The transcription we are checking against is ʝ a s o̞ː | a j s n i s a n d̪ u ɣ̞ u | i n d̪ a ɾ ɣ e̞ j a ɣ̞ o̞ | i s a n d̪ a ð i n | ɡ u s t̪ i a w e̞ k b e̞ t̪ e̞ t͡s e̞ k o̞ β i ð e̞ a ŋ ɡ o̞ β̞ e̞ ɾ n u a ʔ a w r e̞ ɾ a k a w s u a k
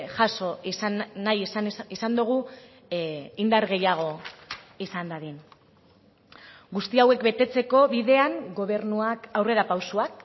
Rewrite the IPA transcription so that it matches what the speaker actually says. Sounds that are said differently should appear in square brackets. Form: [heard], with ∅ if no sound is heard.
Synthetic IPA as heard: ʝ a s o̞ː | a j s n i s a n d̪ u ɣ̞ u | i n d̪ a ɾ ɣ e̞ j a ɣ̞ o̞ | i s a n d̪ a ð i n | ɡ u s t̪ i a w e̞ k b e̞ t̪ e̞ t͡s e̞ k o̞ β i ð e̞ a ŋ ɡ o̞ β̞ e̞ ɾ n u a [k] a w r e̞ ɾ a [p] a w s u a k